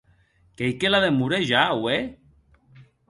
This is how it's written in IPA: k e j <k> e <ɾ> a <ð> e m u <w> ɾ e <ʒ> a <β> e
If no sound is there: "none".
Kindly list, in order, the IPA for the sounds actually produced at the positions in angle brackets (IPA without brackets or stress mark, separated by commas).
k, l, ð, none, ʒ, w